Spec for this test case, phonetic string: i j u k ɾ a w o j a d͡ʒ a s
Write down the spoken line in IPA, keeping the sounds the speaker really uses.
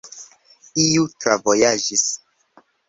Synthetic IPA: i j u t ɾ a v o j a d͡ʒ i s

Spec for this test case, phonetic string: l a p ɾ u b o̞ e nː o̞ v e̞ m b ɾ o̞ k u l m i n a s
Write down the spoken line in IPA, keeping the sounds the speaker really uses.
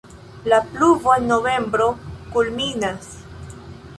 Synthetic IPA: l a p l u v o̞ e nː o̞ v e̞ m b ɾ o̞ k u l m i n a s

